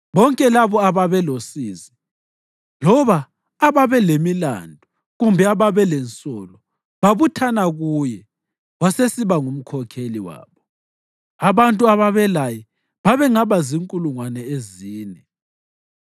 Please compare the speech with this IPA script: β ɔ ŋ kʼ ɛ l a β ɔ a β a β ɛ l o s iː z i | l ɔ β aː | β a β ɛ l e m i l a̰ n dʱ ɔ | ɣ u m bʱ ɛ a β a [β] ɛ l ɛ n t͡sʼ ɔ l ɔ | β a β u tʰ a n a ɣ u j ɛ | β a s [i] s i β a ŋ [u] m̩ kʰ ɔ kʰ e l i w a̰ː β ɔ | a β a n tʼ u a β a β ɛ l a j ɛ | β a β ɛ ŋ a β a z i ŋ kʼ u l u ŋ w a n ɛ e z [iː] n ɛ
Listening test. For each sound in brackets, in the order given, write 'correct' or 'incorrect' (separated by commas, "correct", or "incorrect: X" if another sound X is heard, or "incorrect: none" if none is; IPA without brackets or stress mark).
correct, incorrect: e, correct, correct